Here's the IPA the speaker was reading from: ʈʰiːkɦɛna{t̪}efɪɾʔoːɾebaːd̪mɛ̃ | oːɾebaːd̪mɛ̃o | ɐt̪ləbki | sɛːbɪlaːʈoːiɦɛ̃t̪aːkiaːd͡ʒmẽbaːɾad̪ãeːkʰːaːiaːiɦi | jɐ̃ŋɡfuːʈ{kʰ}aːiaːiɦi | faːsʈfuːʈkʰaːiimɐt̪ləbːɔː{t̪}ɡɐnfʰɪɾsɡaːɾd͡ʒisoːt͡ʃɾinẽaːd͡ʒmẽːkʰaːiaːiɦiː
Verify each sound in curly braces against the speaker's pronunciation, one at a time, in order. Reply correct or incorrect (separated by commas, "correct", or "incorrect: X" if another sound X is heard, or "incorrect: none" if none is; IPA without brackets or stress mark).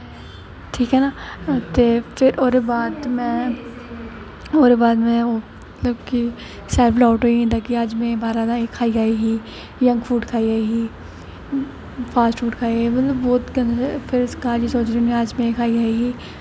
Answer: correct, correct, correct